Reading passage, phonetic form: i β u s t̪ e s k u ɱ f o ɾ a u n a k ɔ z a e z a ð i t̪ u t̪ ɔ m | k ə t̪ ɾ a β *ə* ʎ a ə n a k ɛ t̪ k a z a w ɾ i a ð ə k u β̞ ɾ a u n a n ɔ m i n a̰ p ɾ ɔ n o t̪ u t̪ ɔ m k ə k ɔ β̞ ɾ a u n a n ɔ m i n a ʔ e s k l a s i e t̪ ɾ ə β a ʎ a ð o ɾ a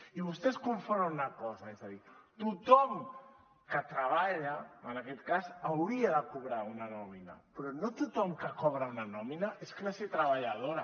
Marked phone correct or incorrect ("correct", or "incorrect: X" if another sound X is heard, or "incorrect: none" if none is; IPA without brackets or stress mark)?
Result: incorrect: a